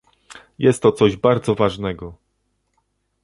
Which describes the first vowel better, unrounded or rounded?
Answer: unrounded